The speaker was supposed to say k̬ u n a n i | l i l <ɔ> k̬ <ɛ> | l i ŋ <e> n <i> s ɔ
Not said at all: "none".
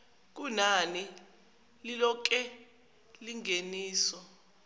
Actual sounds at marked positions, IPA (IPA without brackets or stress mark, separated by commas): ɔ, ɛ, e, iː